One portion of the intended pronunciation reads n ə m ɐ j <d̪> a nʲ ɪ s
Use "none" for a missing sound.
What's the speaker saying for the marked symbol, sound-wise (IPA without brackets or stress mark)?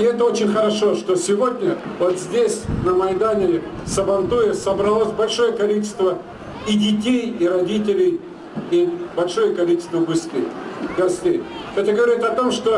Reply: d̪